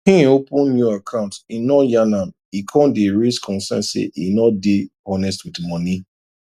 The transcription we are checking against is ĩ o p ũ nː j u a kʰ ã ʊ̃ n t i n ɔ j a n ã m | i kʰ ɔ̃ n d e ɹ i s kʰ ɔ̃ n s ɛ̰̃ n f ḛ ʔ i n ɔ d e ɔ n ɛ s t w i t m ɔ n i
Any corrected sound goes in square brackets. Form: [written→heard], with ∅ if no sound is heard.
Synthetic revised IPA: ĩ o p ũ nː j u a kʰ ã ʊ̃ n t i n ɔ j a n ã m | i kʰ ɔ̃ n d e ɹ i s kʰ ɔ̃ n s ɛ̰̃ n [f→s] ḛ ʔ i n ɔ d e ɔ n ɛ s t w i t m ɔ n i